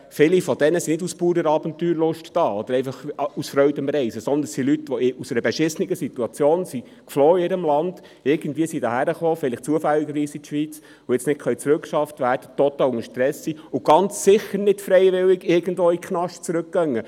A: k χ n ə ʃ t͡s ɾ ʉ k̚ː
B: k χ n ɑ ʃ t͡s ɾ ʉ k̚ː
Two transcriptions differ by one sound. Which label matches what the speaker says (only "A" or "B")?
B